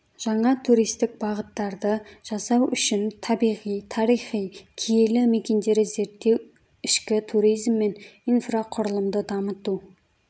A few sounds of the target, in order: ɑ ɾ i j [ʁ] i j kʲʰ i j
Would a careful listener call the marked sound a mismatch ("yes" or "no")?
yes